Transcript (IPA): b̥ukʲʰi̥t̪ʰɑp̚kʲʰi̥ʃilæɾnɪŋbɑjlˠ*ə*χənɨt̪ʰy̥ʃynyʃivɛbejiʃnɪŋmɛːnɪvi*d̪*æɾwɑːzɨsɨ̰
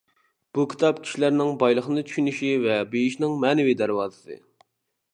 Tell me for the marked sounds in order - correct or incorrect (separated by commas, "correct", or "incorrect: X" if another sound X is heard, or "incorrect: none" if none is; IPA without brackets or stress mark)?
correct, correct